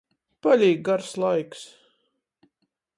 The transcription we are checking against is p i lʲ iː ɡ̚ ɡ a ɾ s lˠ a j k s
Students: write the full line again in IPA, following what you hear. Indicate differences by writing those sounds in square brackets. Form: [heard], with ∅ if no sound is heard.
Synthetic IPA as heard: p [a] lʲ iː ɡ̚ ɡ a ɾ s lˠ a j k s